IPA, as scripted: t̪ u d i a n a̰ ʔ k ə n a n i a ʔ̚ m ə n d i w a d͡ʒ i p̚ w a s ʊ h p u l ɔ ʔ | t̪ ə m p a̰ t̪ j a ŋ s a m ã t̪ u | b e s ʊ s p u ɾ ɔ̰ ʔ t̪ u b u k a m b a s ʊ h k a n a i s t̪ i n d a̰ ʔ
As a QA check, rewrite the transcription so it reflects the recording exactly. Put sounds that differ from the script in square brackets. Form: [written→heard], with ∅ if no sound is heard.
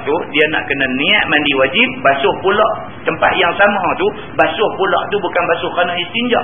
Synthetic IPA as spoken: t̪ u d i a n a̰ ʔ k ə n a n i a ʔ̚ m [ə→a] n d i w a d͡ʒ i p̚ [w→b] a s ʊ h p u l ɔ ʔ | t̪ ə m p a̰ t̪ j a ŋ s a m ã t̪ u | b [e→a] s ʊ [s→h] p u [ɾ→l] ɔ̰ ʔ t̪ u b u k a [m→n] b a s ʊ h k a n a i s t̪ i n [d→d͡ʒ] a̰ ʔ